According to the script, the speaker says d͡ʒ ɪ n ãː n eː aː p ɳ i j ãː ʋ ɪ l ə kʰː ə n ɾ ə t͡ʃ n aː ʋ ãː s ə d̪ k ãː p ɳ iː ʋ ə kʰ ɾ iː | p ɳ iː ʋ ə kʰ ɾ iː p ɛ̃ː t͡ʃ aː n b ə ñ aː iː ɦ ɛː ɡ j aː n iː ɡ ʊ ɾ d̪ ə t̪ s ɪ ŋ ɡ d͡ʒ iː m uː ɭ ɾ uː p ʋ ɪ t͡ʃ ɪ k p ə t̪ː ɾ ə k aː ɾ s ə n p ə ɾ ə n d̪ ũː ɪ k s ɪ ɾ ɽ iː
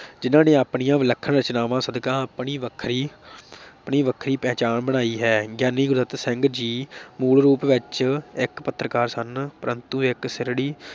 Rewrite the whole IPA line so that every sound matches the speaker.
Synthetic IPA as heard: d͡ʒ ɪ n ãː n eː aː p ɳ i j ãː ʋ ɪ l ə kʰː ə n ɾ ə t͡ʃ n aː ʋ ãː s ə d̪ k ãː p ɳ iː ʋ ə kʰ ɾ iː | p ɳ iː ʋ ə kʰ ɾ iː p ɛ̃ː t͡ʃ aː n b ə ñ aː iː ɦ ɛː ɡ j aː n iː ɡ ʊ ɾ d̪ ə t̪ s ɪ ŋ ɡ d͡ʒ iː m uː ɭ ɾ uː p ʋ ɪ t͡ʃ ɪ k p ə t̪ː ɾ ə k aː ɾ s ə n p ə ɾ ə n t̪ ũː ɪ k s ɪ ɾ ɽ iː